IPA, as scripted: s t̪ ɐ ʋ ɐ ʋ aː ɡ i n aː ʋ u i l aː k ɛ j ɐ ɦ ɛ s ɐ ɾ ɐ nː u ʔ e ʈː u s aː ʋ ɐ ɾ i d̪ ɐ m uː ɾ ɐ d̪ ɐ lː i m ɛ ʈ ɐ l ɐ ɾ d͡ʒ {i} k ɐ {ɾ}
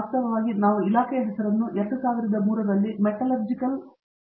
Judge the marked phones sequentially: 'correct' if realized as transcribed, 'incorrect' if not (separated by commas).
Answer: correct, incorrect